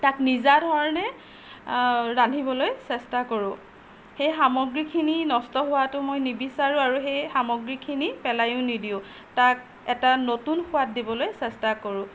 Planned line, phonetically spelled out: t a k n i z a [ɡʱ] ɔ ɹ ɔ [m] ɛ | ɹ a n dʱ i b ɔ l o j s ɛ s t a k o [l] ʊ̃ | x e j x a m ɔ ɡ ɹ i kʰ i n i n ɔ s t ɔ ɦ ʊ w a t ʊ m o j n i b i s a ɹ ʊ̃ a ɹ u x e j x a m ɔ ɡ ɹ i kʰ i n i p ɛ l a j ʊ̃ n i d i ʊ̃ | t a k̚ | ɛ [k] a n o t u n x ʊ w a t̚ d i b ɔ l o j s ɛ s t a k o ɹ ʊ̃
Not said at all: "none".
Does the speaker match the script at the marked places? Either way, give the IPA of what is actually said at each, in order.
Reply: dʱ, n, ɹ, t

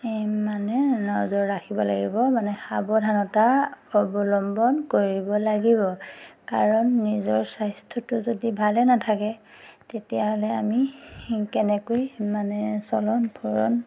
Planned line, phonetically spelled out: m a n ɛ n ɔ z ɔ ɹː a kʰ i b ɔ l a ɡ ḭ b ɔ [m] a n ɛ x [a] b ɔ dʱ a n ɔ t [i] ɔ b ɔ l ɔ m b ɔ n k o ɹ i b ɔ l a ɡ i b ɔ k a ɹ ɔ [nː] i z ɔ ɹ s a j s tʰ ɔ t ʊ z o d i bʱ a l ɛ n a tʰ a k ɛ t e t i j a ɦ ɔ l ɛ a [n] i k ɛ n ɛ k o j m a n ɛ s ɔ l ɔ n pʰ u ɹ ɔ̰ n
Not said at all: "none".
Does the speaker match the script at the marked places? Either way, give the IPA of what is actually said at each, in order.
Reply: m, a, a, nː, m

